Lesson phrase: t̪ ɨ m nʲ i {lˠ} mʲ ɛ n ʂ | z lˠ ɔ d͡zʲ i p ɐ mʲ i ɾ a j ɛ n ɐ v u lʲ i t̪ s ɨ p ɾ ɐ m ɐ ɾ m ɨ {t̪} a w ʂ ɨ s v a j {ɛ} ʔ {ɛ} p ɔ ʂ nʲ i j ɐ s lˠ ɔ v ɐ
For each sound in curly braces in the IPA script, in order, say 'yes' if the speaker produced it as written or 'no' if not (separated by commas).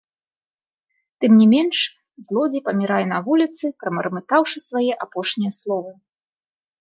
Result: no, yes, yes, no